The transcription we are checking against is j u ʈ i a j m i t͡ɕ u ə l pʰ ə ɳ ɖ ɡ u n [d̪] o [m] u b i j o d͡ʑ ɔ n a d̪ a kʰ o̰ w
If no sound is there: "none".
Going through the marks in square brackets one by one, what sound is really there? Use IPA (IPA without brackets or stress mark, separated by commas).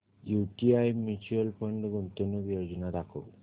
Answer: t̪, n